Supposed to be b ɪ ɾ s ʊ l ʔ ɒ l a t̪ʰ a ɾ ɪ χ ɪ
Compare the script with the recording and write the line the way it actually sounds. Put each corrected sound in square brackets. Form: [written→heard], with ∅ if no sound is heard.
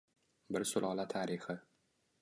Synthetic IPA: b ɪ ɾ s ʊ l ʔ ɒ l a t̪ʰ a ɾ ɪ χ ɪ